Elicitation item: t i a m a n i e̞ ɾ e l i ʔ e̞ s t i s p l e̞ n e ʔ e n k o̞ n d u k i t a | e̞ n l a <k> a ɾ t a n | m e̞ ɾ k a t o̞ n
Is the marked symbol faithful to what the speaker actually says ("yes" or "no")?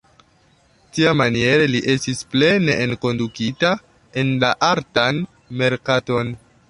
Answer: no